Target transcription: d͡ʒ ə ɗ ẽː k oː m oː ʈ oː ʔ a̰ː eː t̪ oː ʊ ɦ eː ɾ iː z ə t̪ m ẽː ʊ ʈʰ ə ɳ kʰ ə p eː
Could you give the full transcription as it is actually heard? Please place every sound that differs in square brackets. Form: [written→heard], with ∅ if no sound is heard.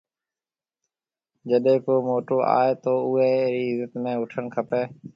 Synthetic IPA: d͡ʒ ə ɗ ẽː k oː m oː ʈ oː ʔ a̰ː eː t̪ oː ʊ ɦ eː ɾ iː z ə t̪ m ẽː ʊ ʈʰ ə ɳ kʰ ə p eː